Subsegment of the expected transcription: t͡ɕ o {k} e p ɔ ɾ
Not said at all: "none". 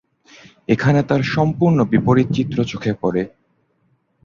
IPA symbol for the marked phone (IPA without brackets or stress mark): kʰ